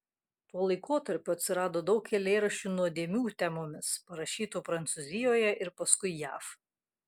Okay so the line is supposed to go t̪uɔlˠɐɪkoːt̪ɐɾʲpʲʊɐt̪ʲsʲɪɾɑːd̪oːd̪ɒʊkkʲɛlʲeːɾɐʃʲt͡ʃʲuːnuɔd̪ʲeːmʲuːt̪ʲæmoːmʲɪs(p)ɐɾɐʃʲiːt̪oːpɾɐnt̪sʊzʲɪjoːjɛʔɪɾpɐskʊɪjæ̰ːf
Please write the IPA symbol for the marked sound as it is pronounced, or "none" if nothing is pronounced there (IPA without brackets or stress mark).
p